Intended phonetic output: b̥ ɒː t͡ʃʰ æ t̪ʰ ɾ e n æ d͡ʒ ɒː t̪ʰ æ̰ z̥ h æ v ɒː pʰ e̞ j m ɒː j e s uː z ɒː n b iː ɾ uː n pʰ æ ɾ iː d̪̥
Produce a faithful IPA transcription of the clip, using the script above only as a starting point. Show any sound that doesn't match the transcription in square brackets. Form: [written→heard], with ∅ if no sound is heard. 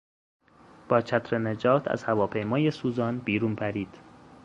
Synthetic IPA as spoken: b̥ ɒː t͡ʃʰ æ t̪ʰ ɾ e n [æ→e] d͡ʒ ɒː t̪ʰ æ̰ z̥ h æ v ɒː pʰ e̞ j m ɒː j e s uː z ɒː n b iː ɾ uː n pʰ æ ɾ iː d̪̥